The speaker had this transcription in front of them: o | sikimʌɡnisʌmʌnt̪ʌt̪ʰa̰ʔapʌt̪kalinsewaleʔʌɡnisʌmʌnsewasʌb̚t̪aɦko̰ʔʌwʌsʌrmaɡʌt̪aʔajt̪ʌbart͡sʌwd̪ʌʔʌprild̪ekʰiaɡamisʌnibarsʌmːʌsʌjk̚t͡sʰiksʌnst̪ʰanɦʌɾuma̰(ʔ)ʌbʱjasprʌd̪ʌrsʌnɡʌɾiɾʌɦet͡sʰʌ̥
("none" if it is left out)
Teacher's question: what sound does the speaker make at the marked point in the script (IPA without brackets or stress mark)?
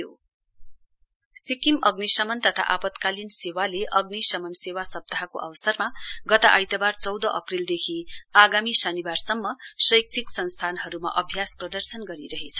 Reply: ʔ